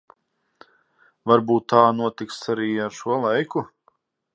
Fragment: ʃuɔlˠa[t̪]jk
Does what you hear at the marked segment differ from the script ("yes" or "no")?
yes